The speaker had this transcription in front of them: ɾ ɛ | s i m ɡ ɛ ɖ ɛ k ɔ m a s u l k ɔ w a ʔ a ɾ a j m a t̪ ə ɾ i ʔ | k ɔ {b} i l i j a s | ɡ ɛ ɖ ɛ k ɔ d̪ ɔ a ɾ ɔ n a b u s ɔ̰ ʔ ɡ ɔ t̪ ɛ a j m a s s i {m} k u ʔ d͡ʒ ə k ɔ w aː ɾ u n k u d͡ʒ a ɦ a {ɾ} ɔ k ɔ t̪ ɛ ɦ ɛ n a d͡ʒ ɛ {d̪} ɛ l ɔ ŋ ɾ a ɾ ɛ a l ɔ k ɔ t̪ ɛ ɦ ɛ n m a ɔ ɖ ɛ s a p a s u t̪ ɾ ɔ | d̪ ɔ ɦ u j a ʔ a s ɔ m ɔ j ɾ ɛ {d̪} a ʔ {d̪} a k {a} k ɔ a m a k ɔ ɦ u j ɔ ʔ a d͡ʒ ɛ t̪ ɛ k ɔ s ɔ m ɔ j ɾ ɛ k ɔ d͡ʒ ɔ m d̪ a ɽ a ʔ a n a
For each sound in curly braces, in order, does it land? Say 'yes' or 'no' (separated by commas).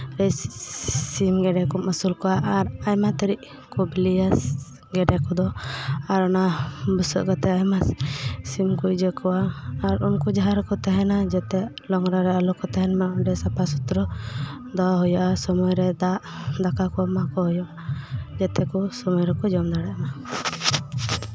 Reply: yes, yes, yes, no, yes, yes, yes